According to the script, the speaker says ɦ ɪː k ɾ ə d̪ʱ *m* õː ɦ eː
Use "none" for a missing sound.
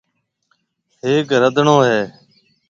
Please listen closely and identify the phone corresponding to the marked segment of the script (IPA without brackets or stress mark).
ɳ